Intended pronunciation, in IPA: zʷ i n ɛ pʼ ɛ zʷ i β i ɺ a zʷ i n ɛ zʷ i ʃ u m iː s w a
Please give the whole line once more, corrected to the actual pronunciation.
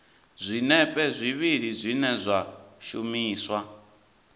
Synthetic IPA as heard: zʷ i n ɛ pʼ ɛ zʷ i β i ɺ i zʷ i n ɛ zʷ a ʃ u m iː s w a